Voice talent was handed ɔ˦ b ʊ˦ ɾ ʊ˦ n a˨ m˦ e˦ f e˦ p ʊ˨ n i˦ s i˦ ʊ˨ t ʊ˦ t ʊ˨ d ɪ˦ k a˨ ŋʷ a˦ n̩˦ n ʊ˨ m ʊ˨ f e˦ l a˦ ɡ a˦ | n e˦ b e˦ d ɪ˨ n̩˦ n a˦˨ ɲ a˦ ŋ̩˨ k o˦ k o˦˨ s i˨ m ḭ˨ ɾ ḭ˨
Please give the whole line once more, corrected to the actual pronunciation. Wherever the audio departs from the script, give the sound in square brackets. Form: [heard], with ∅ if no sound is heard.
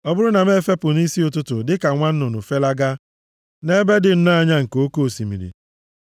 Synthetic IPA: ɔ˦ b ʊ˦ ɾ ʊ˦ n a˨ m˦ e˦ f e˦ p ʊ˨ n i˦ s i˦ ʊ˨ t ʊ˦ t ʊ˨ d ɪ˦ k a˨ ŋʷ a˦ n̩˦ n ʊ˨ [n] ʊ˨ f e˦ l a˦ ɡ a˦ | n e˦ b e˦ d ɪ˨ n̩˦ n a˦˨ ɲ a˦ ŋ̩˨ k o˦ k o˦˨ s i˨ m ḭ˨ ɾ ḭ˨

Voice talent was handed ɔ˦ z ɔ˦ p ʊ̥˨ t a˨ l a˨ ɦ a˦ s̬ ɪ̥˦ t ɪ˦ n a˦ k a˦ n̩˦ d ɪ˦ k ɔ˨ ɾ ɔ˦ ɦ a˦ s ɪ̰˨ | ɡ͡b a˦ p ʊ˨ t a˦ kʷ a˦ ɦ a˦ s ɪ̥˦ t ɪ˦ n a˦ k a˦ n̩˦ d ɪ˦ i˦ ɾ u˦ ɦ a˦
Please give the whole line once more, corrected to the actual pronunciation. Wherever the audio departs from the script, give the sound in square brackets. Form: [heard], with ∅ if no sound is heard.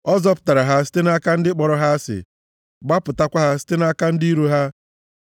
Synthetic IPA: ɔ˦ z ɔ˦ p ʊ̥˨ t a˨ [ɾ] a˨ ɦ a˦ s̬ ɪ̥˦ t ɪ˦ n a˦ k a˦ n̩˦ d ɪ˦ [k͡p] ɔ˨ ɾ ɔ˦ ɦ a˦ s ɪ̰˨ | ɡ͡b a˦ p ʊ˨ t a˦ kʷ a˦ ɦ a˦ s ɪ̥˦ t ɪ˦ n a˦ k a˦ n̩˦ d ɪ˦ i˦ ɾ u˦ ɦ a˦

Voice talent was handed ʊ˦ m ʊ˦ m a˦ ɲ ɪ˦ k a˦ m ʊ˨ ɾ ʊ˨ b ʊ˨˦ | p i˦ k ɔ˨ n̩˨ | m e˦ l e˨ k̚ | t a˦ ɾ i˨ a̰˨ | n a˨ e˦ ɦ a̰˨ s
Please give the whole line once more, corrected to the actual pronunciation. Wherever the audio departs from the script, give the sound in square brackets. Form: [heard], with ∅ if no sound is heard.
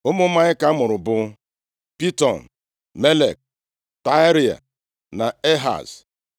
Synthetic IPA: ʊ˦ m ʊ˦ m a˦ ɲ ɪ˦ k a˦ m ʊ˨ ɾ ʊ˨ b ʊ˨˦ | p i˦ [t] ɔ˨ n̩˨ | m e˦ l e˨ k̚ | t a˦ ɾ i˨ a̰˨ | n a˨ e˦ ɦ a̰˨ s

